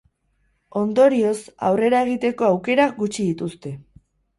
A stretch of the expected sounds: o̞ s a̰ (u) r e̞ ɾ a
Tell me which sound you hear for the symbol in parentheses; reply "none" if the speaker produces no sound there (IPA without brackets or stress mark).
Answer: w